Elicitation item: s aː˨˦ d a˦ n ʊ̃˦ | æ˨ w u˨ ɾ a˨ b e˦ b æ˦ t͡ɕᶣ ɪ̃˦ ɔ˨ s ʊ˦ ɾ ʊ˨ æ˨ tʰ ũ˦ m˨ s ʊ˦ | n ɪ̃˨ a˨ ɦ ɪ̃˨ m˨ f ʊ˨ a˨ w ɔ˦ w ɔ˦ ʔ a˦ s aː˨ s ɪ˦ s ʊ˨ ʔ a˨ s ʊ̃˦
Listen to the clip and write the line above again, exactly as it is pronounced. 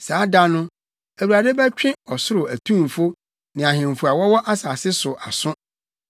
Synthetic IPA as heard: s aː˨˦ d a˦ n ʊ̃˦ | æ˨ w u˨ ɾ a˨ d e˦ b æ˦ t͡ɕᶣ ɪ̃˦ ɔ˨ s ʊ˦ ɾ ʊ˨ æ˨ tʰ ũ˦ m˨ f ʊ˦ | n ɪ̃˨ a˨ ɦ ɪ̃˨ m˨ f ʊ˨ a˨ w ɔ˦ w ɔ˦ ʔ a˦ s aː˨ s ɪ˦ s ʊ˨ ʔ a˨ s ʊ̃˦